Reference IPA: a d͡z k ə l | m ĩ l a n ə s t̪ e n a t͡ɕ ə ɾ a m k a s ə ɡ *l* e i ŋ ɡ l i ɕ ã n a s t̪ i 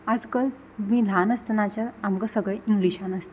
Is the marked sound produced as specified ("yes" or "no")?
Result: no